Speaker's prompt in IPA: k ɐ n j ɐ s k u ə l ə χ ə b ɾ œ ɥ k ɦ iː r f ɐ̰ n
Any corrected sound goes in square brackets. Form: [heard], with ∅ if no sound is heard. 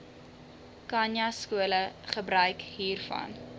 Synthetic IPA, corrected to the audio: k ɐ n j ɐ s k u ə l ə χ ə b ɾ œ ɥ k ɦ iː r f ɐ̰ n